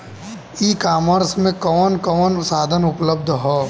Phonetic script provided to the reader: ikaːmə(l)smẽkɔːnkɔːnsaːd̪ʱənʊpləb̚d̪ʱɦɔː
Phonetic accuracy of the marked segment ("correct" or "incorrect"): incorrect